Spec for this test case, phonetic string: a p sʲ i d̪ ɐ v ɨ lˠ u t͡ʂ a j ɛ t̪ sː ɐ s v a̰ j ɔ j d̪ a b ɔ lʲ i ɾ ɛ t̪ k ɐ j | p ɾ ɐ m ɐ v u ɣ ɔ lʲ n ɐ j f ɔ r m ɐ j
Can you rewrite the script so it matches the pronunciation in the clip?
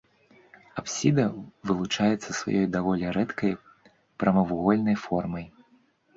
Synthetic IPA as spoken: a p sʲ i d̪ ɐ v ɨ lˠ u t͡ʂ a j ɛ t̪ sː ɐ s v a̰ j ɔ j d̪ a v ɔ lʲ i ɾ ɛ t̪ k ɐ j | p ɾ ɐ m ɐ v u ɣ ɔ lʲ n ɐ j f ɔ r m ɐ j